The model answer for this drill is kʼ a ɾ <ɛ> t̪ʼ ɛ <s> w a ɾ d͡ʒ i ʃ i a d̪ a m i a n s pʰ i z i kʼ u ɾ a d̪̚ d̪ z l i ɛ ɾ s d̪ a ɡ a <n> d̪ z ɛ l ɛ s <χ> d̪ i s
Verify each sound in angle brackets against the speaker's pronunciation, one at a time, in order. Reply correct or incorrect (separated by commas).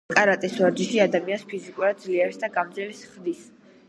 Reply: incorrect, correct, incorrect, correct